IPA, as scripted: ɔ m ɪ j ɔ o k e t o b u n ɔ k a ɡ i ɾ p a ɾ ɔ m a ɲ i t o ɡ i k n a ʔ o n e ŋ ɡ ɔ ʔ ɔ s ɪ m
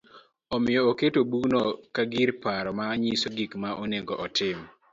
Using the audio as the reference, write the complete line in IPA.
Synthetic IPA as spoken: ɔ m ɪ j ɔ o k e t o b u n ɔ k a ɡ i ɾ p a ɾ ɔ m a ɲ i s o ɡ i k m a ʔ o n e ŋ ɡ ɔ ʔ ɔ t ɪ m